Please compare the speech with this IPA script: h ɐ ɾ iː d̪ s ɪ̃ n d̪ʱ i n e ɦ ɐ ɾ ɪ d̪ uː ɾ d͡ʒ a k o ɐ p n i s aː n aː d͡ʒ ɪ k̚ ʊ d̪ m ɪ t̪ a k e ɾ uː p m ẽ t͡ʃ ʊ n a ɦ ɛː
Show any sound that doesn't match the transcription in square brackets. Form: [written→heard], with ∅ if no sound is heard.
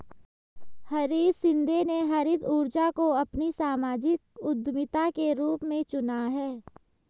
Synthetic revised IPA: h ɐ ɾ iː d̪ s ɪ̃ n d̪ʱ [i→e] n e ɦ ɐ ɾ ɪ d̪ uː ɾ d͡ʒ a k o ɐ p n i s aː [n→m] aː d͡ʒ ɪ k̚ ʊ d̪ m ɪ t̪ a k e ɾ uː p m ẽ t͡ʃ ʊ n a ɦ ɛː

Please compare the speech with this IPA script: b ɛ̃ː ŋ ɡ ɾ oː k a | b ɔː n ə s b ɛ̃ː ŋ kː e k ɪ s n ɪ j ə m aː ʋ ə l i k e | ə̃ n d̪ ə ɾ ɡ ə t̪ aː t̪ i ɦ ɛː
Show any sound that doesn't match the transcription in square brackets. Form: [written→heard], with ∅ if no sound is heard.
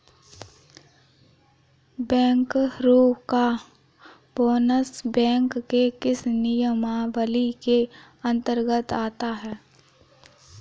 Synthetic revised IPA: b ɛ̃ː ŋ [ɡ→k] ɾ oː k a | b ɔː n ə s b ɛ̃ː ŋ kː e k ɪ s n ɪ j ə m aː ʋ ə l i k e | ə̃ n [d̪→t̪] ə ɾ ɡ ə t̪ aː t̪ [i→a] ɦ ɛː

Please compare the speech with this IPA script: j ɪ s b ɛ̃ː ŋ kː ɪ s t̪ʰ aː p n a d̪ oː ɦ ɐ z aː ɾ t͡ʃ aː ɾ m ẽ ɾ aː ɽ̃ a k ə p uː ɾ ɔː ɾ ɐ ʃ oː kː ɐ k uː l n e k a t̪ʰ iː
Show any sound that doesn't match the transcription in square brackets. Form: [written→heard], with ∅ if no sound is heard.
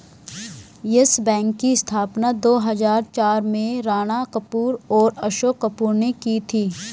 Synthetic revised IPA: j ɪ s b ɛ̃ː ŋ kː [ɪ→i] s t̪ʰ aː p n a d̪ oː ɦ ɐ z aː ɾ t͡ʃ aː ɾ m ẽ ɾ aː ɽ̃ a k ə p uː ɾ ɔː ɾ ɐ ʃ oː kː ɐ [k→p] uː [l→ɾ] n e k [a→i] t̪ʰ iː

